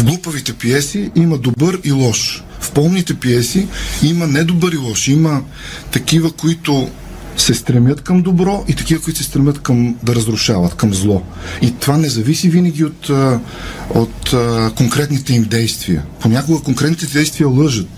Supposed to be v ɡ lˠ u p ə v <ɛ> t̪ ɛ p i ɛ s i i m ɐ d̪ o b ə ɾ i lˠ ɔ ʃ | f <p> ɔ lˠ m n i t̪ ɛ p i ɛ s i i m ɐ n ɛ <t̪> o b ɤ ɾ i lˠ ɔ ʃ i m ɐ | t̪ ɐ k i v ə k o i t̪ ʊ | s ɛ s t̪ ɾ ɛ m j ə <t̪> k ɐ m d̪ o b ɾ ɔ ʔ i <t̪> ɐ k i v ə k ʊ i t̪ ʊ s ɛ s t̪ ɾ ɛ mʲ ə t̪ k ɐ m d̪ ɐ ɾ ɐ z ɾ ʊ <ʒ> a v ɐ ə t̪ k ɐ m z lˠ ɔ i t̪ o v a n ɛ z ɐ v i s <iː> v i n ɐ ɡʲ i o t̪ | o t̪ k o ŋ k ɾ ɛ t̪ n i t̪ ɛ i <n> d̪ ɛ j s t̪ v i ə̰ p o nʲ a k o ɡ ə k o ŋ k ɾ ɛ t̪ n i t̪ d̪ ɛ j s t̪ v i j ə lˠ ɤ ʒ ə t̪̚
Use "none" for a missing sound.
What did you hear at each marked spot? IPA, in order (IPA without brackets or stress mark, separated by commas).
i, p, d̪, t̪, t̪, ʃ, i, m